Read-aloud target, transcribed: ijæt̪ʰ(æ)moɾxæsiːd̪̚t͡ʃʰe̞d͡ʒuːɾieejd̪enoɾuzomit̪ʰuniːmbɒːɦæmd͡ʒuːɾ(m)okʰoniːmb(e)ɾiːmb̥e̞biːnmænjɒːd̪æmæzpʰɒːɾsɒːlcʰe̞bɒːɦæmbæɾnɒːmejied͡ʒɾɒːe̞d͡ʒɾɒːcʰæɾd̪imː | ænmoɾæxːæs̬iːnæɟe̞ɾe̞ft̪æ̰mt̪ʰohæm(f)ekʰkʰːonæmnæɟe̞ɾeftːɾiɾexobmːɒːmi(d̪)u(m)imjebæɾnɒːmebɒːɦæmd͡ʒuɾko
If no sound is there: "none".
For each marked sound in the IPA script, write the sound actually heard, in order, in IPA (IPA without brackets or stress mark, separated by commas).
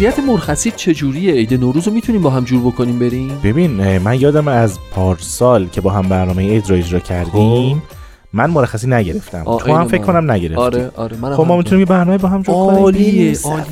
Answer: e, b, e, f, t̪, n